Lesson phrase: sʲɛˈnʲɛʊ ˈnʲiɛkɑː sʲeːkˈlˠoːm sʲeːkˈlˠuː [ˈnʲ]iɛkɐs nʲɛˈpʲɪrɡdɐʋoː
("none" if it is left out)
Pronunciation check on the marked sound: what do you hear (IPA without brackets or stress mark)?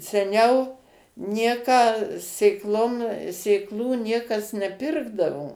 nʲ